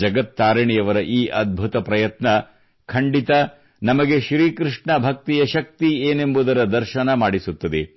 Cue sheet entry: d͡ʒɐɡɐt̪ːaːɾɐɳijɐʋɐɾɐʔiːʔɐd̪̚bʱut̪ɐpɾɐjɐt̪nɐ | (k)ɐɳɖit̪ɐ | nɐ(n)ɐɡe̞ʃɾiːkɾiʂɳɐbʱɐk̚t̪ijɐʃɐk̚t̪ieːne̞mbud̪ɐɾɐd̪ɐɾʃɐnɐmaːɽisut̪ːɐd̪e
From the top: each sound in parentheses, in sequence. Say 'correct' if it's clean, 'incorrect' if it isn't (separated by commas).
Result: incorrect, incorrect